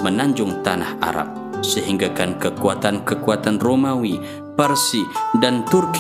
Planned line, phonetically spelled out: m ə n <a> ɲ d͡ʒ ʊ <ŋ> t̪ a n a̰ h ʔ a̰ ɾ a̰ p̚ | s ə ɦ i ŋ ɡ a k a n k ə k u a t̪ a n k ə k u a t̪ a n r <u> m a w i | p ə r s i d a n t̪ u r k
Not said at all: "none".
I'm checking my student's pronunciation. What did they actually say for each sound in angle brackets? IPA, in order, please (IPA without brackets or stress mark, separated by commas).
a, ŋ, o